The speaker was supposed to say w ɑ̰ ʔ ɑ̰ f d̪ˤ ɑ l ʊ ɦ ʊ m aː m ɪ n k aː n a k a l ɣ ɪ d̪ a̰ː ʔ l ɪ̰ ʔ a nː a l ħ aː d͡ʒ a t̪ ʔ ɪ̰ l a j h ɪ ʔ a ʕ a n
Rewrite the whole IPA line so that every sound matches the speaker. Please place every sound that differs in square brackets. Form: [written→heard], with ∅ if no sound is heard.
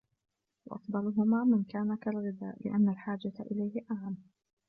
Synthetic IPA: w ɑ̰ ʔ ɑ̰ f d̪ˤ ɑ l ʊ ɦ ʊ m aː m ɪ n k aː n a k a l ɣ ɪ d̪ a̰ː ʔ l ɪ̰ ʔ a nː a l ħ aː d͡ʒ a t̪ ʔ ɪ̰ l a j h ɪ ʔ a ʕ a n